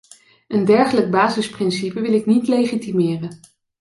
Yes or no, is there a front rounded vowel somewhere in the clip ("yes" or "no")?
no